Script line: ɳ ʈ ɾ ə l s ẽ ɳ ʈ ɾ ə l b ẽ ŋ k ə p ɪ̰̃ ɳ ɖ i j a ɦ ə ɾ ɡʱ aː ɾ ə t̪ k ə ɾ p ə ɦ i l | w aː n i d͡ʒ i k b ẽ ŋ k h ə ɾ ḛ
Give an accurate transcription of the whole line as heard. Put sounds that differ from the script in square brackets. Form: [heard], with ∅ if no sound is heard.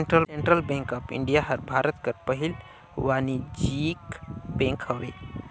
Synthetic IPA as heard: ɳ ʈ ɾ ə l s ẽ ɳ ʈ ɾ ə l b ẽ ŋ k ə p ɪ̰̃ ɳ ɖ i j a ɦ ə ɾ [bʱ] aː ɾ ə t̪ k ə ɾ p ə ɦ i l | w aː n i d͡ʒ i k b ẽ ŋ k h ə ɾ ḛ